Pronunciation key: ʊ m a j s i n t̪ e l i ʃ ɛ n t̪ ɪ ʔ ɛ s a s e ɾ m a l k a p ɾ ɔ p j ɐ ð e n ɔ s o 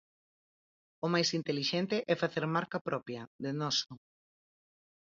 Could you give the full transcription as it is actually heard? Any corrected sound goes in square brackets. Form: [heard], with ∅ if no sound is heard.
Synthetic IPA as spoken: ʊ m a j s i n t̪ e l i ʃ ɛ n t̪ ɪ ʔ ɛ [f] a [θ] e ɾ m a [ɾ] k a p ɾ ɔ p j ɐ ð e n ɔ s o